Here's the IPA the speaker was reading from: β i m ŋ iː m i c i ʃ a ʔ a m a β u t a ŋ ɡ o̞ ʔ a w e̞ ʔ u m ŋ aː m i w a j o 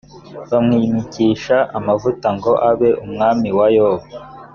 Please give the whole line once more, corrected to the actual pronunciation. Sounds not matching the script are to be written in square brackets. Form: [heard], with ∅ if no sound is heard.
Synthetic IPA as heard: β [a] m ŋ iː m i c i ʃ a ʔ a m a [v] u t a ŋ ɡ o̞ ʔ a [β] e̞ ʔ u m ŋ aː m i w a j o